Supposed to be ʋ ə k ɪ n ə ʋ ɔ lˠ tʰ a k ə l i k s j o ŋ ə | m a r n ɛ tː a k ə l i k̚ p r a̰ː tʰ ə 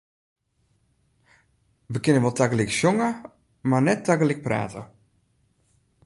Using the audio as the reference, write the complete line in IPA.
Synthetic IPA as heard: ʋ ə k ɪ n ə ʋ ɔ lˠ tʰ a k ə l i k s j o ŋ ə | m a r n ɛ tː a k ə l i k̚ p r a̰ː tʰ ə